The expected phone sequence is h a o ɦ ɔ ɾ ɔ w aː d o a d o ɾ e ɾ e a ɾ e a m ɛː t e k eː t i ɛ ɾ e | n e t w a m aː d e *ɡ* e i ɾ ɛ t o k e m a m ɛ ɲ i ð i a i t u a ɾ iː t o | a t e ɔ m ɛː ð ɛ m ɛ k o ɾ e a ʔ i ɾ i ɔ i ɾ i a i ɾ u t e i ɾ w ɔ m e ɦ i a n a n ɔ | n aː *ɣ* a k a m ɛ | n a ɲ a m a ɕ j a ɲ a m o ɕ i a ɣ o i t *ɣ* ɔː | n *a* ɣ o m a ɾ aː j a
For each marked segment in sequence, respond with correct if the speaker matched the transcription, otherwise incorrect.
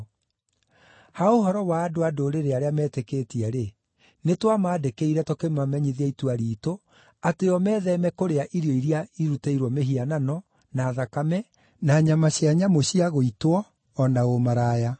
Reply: incorrect: k, incorrect: ð, incorrect: w, correct

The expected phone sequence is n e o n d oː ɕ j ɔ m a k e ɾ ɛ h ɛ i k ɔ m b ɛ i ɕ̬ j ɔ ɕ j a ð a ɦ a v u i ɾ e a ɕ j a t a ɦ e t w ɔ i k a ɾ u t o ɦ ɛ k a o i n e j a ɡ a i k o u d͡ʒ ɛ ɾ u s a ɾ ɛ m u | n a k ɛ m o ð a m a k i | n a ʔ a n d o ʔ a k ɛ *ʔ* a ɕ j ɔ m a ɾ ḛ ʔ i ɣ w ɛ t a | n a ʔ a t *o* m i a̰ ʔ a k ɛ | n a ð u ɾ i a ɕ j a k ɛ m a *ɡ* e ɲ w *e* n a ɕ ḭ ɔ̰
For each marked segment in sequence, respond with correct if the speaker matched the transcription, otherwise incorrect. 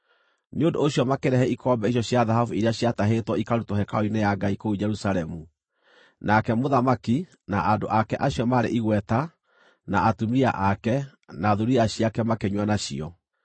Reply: correct, incorrect: u, incorrect: k, incorrect: a

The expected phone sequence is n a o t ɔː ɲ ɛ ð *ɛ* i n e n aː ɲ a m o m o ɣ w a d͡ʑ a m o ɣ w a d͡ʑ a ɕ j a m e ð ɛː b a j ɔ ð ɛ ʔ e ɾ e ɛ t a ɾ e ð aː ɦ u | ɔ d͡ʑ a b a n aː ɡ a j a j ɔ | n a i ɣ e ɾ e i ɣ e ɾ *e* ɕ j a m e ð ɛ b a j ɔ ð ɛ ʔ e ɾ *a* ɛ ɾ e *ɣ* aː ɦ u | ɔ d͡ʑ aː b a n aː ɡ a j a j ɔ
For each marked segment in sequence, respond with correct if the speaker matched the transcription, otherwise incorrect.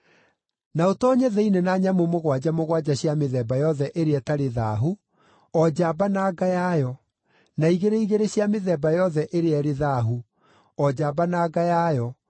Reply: correct, correct, incorrect: e, incorrect: ð

